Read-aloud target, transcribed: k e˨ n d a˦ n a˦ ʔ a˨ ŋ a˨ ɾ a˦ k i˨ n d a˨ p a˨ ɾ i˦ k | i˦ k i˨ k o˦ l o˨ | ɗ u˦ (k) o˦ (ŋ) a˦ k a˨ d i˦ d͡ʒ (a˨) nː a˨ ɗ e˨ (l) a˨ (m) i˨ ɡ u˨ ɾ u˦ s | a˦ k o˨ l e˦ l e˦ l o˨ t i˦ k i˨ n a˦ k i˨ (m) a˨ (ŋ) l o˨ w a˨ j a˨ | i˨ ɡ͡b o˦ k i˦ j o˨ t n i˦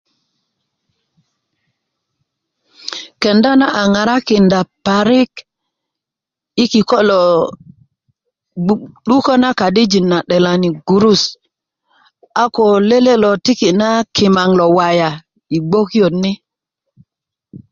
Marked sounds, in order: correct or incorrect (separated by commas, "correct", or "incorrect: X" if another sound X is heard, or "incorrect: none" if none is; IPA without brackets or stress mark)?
correct, incorrect: n, incorrect: i˨, correct, incorrect: n, correct, correct